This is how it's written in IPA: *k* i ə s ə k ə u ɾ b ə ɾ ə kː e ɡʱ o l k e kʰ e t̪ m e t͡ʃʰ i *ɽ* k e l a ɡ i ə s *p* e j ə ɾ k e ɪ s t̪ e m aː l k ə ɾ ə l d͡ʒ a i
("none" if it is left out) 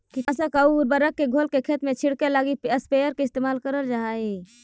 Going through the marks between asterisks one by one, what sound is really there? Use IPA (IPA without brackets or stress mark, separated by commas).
k, ɽ, p